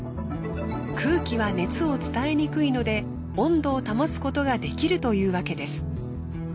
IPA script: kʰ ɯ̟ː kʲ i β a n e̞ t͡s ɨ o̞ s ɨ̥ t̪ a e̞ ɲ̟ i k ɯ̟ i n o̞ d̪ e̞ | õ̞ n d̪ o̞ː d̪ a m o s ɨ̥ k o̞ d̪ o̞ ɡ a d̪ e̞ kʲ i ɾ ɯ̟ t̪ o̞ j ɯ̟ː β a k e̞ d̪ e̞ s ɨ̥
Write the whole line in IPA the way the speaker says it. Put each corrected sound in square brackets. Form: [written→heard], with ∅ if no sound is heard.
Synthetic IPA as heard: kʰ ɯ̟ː kʲ i β a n e̞ t͡s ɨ o̞ [s→t͡s] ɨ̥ t̪ a e̞ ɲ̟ i k ɯ̟ i n o̞ d̪ e̞ | õ̞ n d̪ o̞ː [d̪→t̪] a m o s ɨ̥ k o̞ [d̪→t̪] o̞ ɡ a d̪ e̞ kʲ i ɾ ɯ̟ t̪ o̞ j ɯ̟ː β a k e̞ d̪ e̞ s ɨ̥